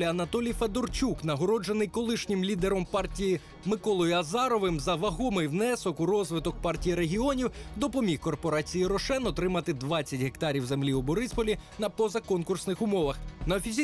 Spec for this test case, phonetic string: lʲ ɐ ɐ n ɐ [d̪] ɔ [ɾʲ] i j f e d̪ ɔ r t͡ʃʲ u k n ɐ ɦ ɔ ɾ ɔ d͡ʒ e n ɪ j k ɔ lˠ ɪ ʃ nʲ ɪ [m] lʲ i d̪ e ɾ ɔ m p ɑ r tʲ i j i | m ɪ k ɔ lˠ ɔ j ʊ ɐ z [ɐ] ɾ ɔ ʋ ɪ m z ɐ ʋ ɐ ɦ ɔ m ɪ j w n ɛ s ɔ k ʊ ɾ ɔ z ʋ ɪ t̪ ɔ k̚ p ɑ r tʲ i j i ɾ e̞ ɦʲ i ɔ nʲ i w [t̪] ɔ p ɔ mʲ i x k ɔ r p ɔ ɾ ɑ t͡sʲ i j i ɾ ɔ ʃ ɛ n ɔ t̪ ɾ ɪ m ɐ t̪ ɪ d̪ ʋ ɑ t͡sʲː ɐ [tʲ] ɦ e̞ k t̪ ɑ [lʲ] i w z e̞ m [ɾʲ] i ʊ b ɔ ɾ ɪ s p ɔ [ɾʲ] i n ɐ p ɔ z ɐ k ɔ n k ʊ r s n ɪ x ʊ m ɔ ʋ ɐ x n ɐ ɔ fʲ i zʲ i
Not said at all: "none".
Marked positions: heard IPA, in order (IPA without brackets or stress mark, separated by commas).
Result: t̪, lʲ, m, ɑ, d̪, tʲ, ɾʲ, lʲ, lʲ